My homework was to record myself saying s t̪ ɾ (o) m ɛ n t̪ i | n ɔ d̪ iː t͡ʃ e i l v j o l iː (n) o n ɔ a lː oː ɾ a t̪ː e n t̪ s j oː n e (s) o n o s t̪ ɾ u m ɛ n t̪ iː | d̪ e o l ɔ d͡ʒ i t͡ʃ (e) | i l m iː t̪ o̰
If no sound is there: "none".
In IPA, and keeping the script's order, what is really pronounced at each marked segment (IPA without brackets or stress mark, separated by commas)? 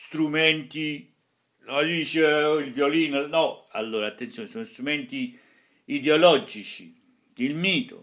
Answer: u, n, s, i